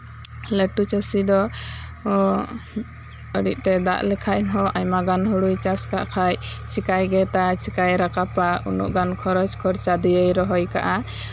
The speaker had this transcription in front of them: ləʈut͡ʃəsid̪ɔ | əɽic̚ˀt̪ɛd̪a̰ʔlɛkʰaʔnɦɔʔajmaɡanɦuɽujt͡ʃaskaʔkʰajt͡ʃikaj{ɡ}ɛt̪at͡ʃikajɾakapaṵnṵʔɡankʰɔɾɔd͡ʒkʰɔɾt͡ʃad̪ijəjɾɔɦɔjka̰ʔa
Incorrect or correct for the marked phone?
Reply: correct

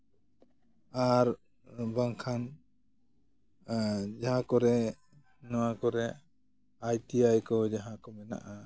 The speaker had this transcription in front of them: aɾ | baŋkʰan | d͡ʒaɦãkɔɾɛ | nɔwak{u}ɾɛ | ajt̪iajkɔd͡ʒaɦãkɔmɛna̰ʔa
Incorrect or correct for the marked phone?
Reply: incorrect: ɔ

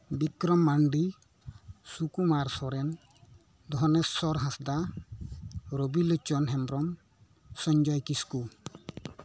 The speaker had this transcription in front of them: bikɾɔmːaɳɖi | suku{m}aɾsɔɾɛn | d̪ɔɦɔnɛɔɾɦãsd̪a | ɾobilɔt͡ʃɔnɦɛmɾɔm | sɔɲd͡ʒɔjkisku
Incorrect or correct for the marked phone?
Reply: correct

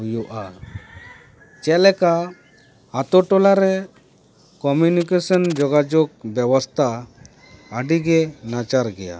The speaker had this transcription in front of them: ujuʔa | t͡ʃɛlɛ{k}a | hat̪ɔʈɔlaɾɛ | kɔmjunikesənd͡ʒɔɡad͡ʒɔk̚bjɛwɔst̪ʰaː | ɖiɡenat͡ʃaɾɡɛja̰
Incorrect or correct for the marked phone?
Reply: correct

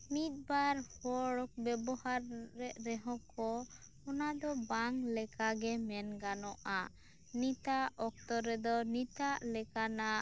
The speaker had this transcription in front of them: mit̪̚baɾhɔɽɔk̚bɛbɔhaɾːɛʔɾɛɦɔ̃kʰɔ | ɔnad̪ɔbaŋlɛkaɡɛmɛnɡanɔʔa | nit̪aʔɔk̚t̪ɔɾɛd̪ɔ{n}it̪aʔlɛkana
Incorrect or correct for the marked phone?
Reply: correct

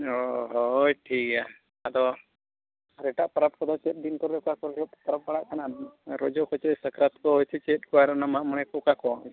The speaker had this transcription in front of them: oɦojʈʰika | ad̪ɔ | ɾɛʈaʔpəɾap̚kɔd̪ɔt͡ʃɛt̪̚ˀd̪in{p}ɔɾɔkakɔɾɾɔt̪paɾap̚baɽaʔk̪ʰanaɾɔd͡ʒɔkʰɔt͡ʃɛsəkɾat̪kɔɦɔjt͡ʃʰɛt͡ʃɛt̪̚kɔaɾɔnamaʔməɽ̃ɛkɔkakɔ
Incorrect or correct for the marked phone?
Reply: incorrect: k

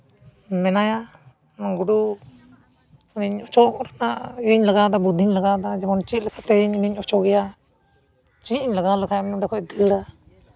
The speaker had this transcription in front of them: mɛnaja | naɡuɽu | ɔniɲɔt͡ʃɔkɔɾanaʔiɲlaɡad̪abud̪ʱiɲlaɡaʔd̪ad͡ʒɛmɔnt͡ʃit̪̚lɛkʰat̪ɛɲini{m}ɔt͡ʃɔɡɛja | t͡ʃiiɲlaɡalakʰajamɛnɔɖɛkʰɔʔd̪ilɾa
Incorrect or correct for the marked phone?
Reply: incorrect: ɲ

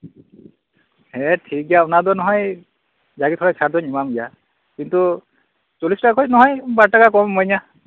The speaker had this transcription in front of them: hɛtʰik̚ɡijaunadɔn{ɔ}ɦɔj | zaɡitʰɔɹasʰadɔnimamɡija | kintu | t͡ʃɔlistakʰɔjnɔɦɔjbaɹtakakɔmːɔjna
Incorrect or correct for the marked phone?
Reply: correct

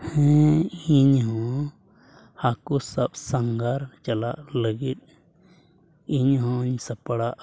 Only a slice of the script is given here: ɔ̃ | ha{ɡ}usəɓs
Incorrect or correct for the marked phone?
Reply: incorrect: k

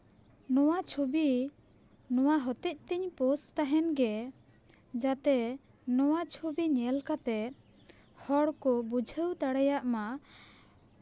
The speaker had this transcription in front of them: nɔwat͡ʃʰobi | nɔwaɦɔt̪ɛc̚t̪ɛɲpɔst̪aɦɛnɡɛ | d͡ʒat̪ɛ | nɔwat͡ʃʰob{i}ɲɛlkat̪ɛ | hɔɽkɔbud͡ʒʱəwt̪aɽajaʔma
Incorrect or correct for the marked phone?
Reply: correct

